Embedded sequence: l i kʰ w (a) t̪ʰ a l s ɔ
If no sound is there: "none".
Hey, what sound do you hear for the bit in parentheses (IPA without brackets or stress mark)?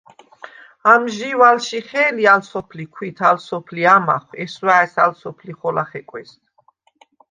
i